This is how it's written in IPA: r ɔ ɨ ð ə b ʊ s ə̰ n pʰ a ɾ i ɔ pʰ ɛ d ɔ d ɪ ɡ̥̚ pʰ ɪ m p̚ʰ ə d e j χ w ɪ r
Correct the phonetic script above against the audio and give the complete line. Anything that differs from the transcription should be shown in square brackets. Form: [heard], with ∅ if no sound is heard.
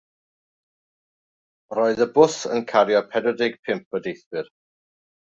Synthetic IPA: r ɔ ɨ ð ə b ʊ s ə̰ n [kʰ] a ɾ [j] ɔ pʰ ɛ d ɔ d ɪ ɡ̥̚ pʰ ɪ m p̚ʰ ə d e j [θ] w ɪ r